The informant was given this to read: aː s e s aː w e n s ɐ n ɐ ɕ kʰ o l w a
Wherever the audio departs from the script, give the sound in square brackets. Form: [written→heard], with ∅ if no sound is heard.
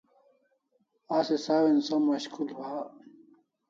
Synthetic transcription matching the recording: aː s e s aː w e n s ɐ [n→m] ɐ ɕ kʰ [o→u] l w a